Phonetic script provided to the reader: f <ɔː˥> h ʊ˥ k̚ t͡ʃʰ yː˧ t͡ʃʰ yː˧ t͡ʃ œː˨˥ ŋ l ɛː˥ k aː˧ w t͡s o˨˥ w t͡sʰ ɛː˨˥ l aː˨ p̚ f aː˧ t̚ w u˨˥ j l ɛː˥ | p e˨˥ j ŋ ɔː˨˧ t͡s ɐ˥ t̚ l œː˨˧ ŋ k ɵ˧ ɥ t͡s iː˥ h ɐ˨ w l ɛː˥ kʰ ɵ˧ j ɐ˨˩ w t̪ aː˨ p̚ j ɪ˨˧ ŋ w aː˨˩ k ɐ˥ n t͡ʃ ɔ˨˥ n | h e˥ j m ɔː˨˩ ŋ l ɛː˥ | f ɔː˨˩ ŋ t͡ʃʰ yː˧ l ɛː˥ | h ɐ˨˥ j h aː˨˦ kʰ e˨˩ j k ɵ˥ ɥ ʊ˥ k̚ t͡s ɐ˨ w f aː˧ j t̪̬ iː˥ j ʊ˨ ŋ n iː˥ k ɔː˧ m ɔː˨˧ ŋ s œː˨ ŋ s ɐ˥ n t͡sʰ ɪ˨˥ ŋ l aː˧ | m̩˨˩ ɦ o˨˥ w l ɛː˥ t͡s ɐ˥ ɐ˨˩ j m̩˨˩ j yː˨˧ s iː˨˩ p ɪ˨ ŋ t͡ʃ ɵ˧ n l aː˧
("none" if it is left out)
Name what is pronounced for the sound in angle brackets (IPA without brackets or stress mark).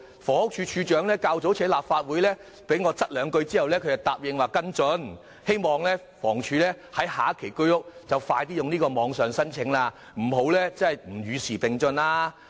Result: ɔː˨˩